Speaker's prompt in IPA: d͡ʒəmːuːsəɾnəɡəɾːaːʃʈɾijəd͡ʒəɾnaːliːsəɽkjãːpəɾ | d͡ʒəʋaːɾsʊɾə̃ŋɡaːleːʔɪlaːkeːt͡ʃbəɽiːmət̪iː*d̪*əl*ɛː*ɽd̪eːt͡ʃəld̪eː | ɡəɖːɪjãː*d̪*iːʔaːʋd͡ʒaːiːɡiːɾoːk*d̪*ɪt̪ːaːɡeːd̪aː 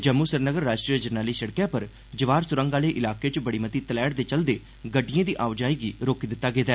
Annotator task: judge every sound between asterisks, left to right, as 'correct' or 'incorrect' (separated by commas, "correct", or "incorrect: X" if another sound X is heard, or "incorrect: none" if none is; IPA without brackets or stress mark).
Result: incorrect: t̪, correct, correct, correct